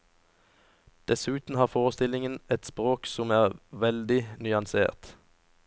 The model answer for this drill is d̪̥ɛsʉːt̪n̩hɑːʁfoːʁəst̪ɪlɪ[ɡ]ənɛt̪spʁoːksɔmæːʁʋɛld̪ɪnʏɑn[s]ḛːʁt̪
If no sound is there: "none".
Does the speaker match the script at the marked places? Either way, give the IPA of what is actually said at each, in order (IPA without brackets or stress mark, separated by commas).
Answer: ŋ, s